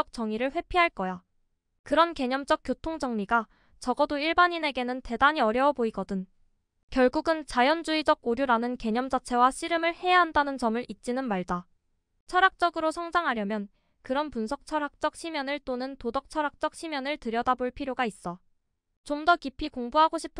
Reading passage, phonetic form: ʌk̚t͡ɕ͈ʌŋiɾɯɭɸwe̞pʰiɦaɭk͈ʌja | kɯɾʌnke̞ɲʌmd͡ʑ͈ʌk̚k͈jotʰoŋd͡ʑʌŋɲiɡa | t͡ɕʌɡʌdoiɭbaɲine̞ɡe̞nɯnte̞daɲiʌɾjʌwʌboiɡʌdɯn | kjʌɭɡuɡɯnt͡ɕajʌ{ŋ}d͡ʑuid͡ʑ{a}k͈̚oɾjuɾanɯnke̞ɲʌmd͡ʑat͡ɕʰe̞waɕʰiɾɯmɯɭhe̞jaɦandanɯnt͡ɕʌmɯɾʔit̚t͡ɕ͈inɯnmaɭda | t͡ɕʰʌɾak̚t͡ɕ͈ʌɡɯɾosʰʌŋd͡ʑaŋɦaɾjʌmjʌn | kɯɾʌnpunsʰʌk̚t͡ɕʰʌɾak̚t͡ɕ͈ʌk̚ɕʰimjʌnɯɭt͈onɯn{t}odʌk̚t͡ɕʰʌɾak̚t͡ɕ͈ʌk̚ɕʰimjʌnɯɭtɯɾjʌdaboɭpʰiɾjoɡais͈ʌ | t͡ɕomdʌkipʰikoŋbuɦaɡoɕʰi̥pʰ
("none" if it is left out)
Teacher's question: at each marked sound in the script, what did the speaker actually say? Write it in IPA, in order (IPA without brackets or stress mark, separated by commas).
n, ʌ, t